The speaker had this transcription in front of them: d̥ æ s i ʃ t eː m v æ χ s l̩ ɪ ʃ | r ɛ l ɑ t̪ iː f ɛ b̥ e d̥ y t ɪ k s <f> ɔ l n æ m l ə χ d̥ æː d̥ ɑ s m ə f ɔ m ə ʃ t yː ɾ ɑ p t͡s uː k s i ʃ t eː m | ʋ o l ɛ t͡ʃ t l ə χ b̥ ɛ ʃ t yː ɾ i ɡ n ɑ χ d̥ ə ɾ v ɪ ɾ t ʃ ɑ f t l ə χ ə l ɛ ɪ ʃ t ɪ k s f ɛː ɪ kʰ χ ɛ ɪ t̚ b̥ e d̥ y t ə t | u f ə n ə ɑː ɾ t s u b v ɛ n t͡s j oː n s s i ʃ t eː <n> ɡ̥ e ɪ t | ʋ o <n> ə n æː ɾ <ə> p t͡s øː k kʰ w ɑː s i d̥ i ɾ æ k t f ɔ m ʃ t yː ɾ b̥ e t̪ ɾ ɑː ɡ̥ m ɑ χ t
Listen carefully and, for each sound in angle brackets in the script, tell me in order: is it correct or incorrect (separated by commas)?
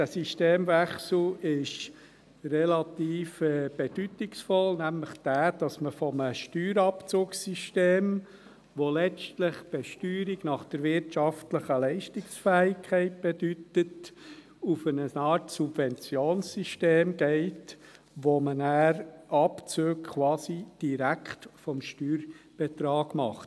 correct, incorrect, incorrect, incorrect